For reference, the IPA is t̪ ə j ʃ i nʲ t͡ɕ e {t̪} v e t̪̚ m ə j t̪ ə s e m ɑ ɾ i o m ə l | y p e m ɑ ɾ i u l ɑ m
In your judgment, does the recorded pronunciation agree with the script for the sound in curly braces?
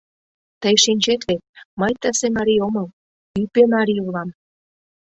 yes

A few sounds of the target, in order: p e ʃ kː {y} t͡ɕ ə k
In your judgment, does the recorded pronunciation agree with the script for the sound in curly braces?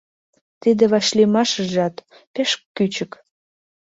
yes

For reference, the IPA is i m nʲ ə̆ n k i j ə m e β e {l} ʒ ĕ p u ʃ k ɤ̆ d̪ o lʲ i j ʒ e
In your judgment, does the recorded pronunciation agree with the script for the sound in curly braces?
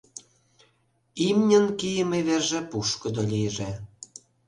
no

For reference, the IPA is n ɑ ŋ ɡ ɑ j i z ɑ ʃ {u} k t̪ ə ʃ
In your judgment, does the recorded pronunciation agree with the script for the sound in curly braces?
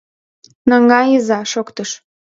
no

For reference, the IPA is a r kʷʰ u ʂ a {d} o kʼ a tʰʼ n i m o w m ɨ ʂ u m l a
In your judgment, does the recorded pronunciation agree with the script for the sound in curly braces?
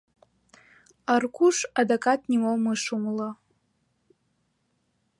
yes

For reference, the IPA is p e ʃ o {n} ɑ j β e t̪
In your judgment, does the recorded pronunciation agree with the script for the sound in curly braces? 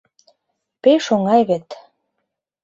no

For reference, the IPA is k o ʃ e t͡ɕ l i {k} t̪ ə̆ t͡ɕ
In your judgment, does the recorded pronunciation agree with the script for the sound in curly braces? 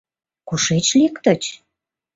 yes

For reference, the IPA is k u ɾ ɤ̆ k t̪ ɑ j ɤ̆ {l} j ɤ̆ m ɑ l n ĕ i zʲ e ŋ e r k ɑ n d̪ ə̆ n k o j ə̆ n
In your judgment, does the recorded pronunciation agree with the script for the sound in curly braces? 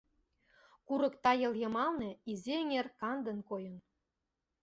yes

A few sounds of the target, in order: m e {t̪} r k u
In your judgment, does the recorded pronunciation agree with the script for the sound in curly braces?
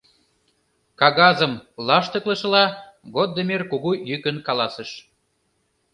no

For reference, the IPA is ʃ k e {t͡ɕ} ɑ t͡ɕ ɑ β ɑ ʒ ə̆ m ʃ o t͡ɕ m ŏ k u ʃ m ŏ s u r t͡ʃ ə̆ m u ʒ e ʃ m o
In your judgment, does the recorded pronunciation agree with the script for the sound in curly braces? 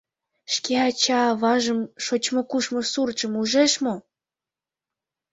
no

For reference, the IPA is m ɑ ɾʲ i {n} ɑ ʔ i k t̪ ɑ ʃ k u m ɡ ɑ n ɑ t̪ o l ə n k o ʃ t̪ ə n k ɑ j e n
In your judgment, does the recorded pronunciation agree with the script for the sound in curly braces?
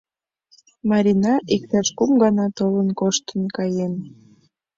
yes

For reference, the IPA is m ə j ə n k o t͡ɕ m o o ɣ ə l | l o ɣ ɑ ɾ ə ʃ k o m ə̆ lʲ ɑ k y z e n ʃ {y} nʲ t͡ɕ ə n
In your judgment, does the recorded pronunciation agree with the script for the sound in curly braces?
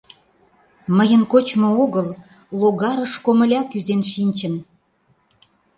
no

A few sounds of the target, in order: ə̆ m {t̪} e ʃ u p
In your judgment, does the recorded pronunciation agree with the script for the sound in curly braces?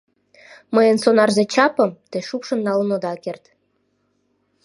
yes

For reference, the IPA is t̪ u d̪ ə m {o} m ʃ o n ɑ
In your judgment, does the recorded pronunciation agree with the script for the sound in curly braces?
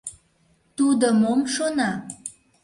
yes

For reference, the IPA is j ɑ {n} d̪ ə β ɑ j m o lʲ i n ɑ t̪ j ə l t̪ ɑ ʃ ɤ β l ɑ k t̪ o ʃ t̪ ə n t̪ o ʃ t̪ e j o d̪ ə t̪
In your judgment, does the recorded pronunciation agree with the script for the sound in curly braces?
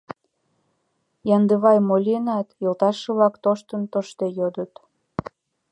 yes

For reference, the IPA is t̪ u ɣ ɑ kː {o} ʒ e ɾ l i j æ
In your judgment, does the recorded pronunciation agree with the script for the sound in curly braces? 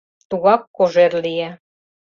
yes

